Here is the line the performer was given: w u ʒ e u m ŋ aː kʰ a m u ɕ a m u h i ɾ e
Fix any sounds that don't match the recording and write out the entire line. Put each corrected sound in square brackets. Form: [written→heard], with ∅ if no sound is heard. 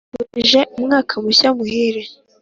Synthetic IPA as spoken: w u ʒ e u m ŋ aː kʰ a m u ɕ a m u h i ɾ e